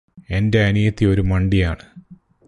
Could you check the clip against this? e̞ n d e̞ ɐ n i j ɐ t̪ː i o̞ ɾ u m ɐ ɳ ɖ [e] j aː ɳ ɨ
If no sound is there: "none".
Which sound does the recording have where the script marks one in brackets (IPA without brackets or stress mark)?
i